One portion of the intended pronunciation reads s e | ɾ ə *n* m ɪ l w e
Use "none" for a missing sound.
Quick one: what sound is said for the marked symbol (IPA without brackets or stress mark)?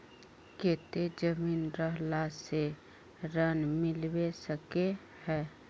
n